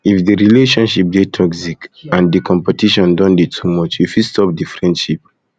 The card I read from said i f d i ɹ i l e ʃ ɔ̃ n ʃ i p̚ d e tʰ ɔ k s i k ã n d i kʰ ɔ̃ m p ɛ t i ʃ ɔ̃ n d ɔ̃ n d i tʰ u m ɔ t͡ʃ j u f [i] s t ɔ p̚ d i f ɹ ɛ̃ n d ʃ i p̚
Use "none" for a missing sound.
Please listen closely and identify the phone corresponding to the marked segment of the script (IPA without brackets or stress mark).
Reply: i